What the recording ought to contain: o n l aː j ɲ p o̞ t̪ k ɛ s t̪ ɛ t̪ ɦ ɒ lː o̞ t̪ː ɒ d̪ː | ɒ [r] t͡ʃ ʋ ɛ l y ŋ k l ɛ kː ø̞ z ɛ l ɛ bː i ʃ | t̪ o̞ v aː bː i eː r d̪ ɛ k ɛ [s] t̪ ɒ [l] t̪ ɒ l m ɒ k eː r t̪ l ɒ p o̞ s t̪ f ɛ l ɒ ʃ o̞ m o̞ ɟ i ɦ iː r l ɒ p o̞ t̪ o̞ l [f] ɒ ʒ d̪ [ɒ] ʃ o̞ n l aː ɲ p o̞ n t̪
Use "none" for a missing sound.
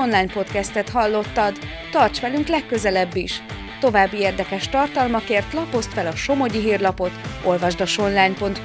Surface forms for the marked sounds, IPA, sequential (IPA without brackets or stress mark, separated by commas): r, ʃ, r, v, ɒ